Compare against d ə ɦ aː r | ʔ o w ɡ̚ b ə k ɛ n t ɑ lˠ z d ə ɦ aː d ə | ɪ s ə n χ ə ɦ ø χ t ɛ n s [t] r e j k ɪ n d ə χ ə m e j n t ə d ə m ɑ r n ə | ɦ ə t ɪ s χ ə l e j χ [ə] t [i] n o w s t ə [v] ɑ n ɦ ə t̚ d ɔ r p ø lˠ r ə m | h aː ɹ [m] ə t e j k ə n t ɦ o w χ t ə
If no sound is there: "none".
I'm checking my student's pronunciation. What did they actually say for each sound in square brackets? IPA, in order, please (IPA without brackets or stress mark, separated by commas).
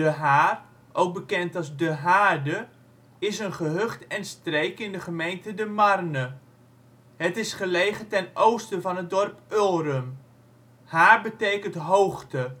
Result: t, ə, ɛ, v, b